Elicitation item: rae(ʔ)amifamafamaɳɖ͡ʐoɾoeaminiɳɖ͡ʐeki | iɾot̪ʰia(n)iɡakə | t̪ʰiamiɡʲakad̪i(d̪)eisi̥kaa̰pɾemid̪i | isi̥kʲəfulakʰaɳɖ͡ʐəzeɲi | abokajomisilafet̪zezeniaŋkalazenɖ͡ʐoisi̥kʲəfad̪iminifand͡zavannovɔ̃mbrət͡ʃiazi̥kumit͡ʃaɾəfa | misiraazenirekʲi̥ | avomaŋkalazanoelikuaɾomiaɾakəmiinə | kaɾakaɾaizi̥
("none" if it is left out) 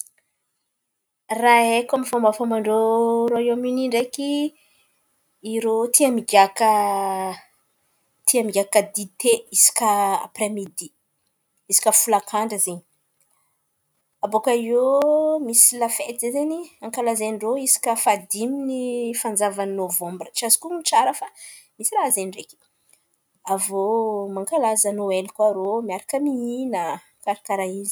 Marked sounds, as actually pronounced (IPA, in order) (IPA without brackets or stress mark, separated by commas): k, m, t̪